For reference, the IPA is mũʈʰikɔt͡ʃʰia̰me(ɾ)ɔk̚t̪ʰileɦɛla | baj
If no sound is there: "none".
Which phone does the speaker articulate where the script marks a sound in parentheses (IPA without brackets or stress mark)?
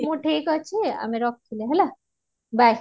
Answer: ɾ